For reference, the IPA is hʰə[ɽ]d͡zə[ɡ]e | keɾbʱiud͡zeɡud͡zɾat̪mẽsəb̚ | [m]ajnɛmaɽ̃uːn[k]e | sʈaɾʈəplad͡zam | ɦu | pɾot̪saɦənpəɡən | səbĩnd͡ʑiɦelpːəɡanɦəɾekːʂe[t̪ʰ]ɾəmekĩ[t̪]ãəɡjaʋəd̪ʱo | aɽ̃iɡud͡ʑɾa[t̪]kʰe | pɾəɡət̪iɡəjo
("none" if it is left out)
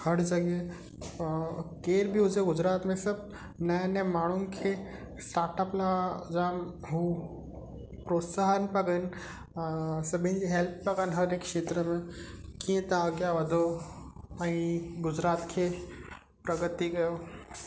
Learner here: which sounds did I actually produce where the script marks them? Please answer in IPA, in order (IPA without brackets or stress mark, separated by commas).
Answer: ɽ, ɡ, n, kʰ, t̪, t̪, t̪